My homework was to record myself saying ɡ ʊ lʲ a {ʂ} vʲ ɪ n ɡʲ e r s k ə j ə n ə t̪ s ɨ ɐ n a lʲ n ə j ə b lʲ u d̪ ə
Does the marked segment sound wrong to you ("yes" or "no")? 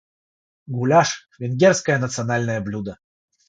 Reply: no